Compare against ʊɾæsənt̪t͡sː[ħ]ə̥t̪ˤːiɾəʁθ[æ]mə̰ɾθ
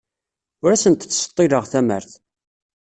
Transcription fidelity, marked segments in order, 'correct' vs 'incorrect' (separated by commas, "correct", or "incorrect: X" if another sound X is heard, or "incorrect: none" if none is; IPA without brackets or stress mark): incorrect: s, correct